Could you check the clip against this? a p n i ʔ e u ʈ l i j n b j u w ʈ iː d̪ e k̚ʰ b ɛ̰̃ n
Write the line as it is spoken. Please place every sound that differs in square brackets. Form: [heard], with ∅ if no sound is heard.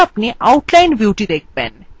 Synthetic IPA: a p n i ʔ [a] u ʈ l [a] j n b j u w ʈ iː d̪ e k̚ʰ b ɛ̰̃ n